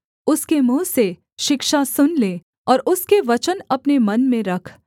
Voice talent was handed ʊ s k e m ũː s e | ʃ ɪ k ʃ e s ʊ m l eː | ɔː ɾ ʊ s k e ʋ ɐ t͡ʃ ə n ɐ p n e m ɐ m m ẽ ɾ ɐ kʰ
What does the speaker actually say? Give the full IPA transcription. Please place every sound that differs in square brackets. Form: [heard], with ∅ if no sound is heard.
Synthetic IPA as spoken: ʊ s k e m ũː s e | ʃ ɪ k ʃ [a] s ʊ [n] l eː | ɔː ɾ ʊ s k e ʋ ɐ t͡ʃ ə n ɐ p n e m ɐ [n] m ẽ ɾ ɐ kʰ